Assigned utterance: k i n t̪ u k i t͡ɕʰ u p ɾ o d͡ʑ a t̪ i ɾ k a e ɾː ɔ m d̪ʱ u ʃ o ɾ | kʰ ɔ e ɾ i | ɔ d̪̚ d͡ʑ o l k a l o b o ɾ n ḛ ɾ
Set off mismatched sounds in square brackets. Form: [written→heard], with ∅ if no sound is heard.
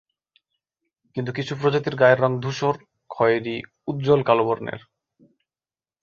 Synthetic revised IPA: k i n t̪ u k i t͡ɕʰ u p ɾ o d͡ʑ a t̪ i ɾ [k→ɡ] a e ɾː ɔ [m→ŋ] d̪ʱ u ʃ o ɾ | kʰ ɔ e ɾ i | [ɔ→u] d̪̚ d͡ʑ o l k a l o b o ɾ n ḛ ɾ